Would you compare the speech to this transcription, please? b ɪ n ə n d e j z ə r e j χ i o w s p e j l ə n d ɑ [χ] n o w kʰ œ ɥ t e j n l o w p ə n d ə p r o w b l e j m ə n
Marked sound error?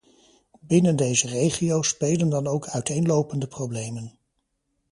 yes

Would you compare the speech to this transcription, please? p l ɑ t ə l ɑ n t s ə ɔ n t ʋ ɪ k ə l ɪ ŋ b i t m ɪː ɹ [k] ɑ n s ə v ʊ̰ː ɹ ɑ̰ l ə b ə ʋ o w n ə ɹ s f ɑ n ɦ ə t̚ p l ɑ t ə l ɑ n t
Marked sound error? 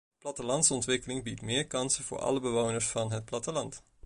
no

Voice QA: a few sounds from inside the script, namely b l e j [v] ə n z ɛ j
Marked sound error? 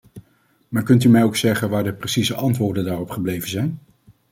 no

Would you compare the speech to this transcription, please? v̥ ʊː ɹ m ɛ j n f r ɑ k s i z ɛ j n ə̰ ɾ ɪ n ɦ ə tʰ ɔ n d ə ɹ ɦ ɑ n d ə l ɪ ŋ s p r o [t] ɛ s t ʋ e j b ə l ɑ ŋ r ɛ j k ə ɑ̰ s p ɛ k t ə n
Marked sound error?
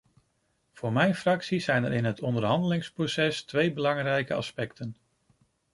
yes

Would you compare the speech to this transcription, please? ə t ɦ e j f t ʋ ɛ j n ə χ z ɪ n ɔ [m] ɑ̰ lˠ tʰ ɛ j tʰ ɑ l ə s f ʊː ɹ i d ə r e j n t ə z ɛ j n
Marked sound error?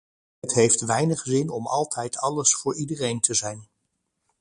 no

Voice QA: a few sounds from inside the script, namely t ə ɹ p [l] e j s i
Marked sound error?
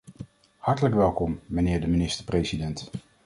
yes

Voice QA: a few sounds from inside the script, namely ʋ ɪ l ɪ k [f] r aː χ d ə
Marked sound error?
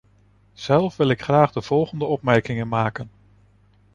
yes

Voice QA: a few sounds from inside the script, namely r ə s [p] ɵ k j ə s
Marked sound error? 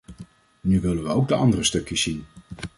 yes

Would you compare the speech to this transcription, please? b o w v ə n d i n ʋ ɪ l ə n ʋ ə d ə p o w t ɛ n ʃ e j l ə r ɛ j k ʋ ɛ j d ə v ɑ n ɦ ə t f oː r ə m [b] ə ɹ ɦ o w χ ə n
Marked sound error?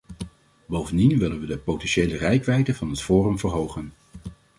yes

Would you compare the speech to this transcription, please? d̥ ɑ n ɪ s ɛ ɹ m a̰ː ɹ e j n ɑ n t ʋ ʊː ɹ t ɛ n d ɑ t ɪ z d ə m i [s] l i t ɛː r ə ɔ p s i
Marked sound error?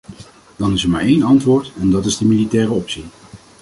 yes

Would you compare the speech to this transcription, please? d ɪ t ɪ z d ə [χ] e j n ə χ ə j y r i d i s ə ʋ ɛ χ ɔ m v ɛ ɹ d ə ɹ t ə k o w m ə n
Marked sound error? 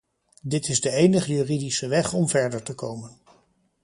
yes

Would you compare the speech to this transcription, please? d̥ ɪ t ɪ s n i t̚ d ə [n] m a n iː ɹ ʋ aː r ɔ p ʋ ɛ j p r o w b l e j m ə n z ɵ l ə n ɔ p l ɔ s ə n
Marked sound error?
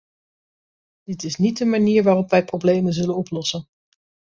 yes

